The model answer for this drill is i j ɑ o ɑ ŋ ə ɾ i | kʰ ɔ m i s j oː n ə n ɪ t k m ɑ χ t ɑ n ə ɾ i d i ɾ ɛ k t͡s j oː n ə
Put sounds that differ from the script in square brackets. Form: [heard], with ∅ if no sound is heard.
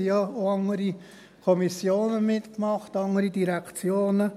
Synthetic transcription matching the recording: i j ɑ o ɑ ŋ ə ɾ i | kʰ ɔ m i s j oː n ə [m] ɪ t k m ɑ χ t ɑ [ŋ] ə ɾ i d i ɾ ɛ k t͡s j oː n ə